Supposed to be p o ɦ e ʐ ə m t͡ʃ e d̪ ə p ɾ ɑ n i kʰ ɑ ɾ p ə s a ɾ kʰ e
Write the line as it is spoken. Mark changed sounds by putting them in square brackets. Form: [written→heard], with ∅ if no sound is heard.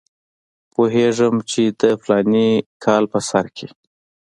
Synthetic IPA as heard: p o ɦ e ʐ ə m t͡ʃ e d̪ ə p [ɾ→l] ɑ n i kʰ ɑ [ɾ→l] p ə s a ɾ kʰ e